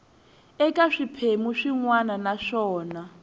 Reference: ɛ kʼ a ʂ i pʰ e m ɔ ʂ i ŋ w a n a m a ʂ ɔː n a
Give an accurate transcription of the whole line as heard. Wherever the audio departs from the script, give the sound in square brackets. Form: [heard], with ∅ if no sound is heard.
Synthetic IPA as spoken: ɛ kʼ a ʂ i pʰ e m [u] ʂ i ŋ w a n a [n] a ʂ ɔː n a